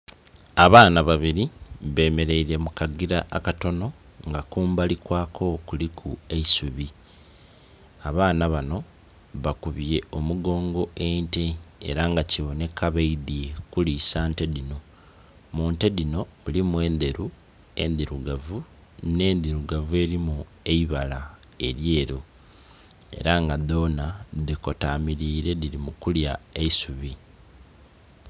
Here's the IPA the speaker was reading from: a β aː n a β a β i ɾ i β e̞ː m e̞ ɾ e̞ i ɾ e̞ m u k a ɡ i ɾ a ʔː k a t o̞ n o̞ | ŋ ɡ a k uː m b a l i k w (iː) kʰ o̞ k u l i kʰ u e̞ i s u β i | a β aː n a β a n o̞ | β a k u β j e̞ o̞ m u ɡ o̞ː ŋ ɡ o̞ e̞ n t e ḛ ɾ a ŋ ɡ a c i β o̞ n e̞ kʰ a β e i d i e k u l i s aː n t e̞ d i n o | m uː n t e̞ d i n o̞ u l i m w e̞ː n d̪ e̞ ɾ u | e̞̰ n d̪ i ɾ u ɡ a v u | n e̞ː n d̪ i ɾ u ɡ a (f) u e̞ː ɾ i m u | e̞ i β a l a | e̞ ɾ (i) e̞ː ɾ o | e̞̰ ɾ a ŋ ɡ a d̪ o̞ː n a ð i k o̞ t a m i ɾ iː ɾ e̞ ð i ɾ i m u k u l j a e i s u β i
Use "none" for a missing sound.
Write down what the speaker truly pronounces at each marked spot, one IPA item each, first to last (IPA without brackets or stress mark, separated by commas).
aː, v, j